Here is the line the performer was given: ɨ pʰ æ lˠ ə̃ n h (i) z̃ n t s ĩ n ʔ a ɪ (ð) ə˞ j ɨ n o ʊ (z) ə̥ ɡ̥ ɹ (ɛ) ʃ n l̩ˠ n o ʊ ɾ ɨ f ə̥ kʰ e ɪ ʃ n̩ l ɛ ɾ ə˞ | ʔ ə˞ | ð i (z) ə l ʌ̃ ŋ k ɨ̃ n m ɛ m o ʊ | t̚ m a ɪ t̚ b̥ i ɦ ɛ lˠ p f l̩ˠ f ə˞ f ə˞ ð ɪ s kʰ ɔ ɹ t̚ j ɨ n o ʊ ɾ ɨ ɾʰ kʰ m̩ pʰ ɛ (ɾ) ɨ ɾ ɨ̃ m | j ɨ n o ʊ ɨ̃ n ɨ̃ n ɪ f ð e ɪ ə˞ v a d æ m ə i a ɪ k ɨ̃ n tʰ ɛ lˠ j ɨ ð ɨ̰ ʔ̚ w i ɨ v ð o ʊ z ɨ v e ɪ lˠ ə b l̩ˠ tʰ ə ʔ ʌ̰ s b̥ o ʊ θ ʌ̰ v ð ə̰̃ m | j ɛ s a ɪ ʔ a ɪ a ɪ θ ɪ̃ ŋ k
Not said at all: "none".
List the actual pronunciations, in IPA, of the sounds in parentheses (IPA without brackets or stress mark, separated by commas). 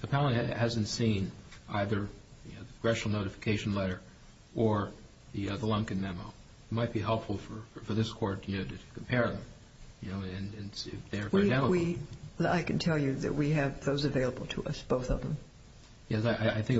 æ, ð, ð, ɛ, ð, ɹ